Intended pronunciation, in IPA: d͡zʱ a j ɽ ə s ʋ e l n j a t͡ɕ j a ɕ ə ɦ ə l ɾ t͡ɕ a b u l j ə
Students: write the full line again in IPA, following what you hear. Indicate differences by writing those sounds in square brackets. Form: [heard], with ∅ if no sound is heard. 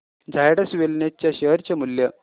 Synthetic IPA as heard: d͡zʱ a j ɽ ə s ʋ e l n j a t͡ɕ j a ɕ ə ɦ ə [∅] ɾ t͡ɕ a [m] u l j ə